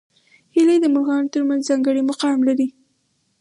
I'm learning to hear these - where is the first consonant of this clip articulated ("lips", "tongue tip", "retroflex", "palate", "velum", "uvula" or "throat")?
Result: throat